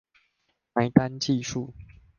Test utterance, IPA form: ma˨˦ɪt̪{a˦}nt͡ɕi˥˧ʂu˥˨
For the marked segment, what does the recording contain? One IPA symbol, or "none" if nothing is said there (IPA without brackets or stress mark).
a˦